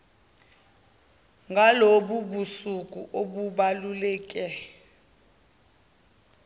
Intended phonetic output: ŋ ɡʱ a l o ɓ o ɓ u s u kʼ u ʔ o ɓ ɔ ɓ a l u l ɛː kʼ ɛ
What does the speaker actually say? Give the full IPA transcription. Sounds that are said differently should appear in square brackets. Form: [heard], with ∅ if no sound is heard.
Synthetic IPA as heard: ŋ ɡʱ a l o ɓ [u] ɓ u s u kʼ u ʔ o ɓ [u] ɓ a l u l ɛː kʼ ɛ